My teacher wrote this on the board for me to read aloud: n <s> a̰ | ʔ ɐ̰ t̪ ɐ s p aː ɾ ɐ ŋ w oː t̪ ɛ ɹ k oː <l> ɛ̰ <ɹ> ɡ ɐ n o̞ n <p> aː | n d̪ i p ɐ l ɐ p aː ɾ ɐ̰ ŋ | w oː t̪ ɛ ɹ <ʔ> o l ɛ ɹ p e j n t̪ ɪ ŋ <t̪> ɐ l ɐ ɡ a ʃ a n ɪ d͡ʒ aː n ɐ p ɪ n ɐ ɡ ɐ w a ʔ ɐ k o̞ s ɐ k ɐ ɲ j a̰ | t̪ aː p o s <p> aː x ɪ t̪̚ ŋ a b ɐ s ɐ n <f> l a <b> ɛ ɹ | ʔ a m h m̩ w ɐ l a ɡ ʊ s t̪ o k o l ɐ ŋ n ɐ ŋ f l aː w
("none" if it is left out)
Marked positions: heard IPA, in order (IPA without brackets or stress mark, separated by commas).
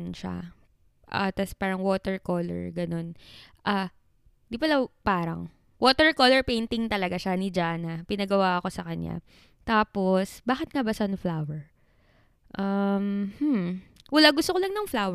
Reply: ʃ, l, ɹ, ʔ, k, t̪, b, f, w